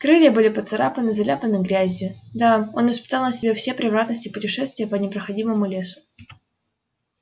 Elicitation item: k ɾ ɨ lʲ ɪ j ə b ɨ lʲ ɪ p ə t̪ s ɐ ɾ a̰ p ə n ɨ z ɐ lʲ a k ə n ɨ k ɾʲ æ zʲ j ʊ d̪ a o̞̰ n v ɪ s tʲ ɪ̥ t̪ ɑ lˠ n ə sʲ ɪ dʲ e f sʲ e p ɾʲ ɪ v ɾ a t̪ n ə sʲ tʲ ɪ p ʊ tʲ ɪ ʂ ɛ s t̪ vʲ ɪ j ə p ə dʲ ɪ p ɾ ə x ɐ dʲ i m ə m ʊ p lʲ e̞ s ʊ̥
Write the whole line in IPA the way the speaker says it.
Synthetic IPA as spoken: k ɾ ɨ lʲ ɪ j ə b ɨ lʲ ɪ p ə t̪ s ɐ ɾ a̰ p ə n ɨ z ɐ lʲ a p ə n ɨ ɡ ɾʲ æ zʲ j ʊ d̪ a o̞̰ n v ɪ s pʲ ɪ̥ t̪ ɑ lˠ n ə sʲ ɪ bʲ e f sʲ e p ɾʲ ɪ v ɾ a t̪ n ə sʲ tʲ ɪ p ʊ tʲ ɪ ʂ ɛ s t̪ vʲ ɪ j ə p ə nʲ ɪ p ɾ ə x ɐ dʲ i m ə m ʊ lʲ e̞ s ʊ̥